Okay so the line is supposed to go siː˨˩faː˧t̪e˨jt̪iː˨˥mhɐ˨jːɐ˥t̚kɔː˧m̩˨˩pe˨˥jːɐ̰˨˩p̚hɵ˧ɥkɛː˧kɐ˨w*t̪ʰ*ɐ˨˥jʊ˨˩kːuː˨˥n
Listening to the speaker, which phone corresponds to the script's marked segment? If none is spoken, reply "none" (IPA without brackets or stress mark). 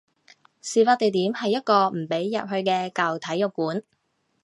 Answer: t̪ʰ